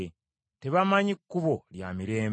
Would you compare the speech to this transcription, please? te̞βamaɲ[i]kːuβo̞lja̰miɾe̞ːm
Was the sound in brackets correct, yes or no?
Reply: yes